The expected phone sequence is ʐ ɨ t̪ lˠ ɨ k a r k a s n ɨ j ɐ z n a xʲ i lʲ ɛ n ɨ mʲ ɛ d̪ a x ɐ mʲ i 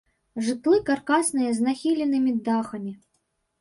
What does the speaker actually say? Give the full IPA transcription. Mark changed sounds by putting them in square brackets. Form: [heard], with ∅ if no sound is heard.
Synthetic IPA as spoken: ʐ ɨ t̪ lˠ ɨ k a r k a s n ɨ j ɐ z n a xʲ i lʲ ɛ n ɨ mʲ [i] d̪ a x ɐ mʲ i